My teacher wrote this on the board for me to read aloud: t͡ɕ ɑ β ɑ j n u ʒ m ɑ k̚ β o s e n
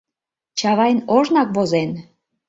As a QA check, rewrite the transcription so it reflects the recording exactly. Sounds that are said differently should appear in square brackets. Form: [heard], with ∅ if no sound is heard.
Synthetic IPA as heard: t͡ɕ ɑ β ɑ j n [o] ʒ [n] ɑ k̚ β o [z] e n